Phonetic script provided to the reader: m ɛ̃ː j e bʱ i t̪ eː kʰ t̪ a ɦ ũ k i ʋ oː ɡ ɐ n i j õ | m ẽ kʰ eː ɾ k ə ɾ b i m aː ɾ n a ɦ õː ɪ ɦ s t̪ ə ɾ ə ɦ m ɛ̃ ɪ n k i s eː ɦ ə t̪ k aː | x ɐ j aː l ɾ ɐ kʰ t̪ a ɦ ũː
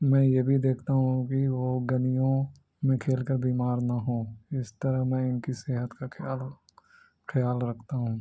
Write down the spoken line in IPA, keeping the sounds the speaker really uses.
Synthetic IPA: m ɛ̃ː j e bʱ i d̪ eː kʰ t̪ a ɦ ũ k i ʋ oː ɡ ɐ n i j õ | m ẽ kʰ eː l k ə ɾ b iː m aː ɾ n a ɦ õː ɪ s t̪ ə ɾ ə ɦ m ɛ̃ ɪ n k i s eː ɦ ə t̪ k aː | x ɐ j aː l ɾ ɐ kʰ t̪ a ɦ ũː